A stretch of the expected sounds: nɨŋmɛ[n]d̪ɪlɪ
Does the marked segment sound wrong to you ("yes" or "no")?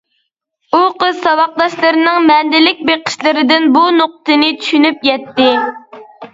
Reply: no